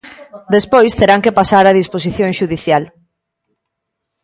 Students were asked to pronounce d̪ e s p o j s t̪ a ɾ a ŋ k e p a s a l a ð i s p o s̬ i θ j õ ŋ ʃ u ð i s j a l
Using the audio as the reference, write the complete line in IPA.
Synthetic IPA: d̪ e s p o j s t̪ e ɾ a ŋ k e p a s a ɾ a ð i s p o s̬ i θ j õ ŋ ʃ u ð i θ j a l